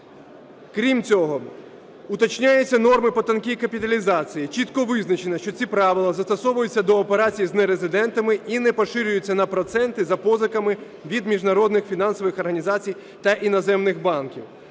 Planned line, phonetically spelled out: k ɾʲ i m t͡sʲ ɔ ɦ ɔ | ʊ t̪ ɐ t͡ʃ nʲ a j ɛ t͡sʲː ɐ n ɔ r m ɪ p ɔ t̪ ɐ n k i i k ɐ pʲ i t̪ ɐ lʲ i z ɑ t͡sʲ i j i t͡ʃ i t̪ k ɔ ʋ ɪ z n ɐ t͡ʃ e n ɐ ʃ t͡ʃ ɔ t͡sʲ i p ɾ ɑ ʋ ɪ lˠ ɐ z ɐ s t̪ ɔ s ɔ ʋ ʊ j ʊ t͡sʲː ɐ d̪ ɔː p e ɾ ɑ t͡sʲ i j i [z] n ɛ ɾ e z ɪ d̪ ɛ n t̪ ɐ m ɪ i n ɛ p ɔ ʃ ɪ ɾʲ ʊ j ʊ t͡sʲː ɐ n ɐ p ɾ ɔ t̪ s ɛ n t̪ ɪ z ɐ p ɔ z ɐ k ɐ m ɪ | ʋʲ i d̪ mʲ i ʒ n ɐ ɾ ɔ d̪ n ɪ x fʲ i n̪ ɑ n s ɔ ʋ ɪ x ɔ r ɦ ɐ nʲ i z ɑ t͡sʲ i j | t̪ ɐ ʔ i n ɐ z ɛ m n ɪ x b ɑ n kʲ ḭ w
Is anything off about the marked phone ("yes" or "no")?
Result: no